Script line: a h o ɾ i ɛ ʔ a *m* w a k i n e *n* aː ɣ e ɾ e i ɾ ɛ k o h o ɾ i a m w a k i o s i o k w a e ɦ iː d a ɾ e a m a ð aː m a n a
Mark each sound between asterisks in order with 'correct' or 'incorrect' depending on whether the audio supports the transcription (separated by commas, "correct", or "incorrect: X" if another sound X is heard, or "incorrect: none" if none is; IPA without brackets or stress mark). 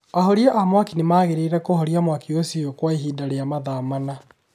correct, incorrect: m